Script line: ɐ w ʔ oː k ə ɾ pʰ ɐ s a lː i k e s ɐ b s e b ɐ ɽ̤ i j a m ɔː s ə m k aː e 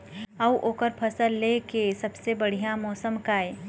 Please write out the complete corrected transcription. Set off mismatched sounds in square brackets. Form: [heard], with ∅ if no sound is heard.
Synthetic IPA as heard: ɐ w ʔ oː k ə ɾ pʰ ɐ s [ə] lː [e] k e s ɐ b s e b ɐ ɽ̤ i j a m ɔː s ə m k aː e